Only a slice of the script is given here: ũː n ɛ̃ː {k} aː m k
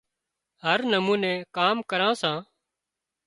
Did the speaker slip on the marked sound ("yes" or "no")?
no